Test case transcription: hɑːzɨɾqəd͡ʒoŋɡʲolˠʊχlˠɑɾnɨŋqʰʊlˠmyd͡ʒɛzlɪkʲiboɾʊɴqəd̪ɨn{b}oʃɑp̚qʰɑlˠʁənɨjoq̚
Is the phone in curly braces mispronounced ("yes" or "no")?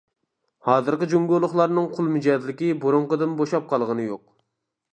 no